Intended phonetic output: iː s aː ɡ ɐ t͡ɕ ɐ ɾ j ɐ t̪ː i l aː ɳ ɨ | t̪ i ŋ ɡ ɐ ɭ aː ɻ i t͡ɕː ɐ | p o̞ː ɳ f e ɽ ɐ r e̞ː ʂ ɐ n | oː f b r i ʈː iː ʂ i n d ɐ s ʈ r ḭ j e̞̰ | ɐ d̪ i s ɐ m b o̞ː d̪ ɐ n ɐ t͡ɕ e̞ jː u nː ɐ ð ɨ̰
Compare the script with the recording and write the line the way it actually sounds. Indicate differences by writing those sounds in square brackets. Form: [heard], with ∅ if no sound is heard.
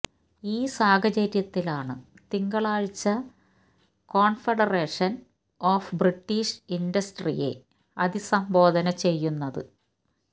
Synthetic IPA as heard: iː s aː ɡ ɐ t͡ɕ ɐ ɾ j ɐ t̪ː i l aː ɳ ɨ | t̪ i ŋ ɡ ɐ ɭ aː ɻ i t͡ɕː ɐ | [k] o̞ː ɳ f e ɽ ɐ r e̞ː ʂ ɐ n | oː f b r i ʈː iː ʂ i n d ɐ s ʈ r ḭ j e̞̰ | ɐ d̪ i s ɐ m b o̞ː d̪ ɐ n ɐ t͡ɕ e̞ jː u nː ɐ ð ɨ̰